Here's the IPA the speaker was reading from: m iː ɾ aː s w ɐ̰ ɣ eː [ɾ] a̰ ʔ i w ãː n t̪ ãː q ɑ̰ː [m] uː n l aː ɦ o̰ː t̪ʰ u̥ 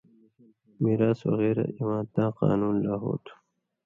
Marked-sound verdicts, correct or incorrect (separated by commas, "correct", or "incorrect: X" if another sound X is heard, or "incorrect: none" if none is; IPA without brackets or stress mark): correct, incorrect: n